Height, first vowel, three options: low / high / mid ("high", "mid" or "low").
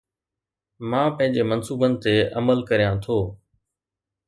low